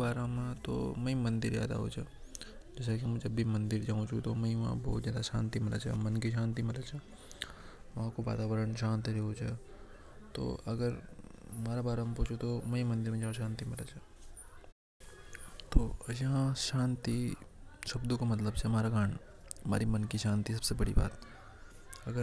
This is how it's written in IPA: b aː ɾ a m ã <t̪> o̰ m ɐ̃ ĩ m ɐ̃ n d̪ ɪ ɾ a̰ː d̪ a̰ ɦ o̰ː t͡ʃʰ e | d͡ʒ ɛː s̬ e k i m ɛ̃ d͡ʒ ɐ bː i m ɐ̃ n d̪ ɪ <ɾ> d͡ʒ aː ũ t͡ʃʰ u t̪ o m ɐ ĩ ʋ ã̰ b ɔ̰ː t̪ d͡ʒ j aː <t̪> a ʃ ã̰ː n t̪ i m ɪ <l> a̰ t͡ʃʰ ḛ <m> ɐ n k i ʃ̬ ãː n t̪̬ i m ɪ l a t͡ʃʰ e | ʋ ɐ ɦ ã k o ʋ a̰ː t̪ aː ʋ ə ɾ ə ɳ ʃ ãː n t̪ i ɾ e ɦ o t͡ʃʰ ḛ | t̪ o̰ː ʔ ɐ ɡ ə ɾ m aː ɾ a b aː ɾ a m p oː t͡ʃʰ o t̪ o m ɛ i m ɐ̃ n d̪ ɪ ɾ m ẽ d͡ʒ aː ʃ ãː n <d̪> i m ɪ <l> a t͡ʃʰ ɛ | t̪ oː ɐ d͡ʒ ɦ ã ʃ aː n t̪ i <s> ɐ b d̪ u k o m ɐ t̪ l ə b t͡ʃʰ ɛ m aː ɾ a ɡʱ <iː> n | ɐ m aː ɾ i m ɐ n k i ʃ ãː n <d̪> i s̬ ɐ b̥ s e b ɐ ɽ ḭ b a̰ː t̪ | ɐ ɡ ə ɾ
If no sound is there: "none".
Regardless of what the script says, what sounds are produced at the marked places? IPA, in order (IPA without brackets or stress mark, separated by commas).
t̪, ɾ, d̪, l, m, t̪, l, ʃ, aː, t̪